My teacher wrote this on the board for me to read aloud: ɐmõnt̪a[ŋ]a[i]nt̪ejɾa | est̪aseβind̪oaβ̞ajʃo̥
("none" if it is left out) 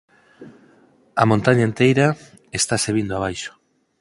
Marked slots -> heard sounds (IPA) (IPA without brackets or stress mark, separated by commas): ɲ, e